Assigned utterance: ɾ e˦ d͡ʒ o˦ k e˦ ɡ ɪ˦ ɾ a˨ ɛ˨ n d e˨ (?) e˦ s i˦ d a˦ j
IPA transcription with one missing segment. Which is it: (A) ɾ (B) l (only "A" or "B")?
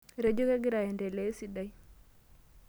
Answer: B